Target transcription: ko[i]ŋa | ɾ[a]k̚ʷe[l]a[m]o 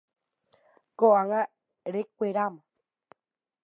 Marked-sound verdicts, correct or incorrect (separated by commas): incorrect, incorrect, incorrect, correct